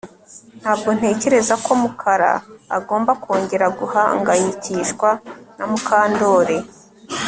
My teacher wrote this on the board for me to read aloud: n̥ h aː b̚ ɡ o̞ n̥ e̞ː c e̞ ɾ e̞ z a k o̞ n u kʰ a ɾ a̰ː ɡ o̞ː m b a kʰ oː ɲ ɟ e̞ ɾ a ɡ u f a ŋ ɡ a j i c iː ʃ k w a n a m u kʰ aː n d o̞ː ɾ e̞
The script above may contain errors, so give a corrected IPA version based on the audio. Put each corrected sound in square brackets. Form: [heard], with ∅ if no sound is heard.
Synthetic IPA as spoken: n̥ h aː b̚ ɡ o̞ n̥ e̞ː c e̞ ɾ e̞ z a k o̞ [m] u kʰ a ɾ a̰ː ɡ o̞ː m b a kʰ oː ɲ ɟ e̞ ɾ a ɡ u [h] a ŋ ɡ a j i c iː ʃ k w a n a m u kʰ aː n d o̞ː ɾ e̞